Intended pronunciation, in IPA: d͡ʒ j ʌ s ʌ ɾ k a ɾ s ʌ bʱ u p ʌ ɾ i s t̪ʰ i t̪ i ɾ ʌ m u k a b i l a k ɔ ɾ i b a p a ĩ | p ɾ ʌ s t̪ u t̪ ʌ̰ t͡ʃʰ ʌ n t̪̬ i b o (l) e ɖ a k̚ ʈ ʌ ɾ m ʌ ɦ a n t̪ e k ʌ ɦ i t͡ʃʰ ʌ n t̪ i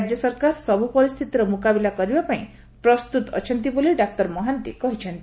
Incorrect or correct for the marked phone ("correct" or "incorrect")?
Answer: correct